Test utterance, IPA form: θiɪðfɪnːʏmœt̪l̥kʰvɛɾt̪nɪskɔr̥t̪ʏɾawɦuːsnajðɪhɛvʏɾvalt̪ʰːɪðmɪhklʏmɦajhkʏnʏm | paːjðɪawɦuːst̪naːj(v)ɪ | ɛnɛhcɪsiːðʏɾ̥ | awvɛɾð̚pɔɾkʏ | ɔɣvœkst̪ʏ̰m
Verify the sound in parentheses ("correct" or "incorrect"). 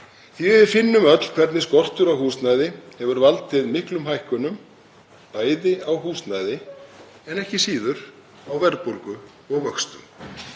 incorrect